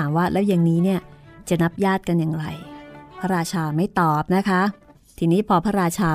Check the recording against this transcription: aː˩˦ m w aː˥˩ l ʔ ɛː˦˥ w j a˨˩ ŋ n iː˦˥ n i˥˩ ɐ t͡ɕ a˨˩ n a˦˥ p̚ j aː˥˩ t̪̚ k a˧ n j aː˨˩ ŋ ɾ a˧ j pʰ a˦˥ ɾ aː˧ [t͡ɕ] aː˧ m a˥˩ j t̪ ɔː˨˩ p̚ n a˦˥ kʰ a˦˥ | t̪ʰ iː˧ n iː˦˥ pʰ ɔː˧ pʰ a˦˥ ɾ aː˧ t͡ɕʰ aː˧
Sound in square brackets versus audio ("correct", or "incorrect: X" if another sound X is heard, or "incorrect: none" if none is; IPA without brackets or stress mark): incorrect: t͡ɕʰ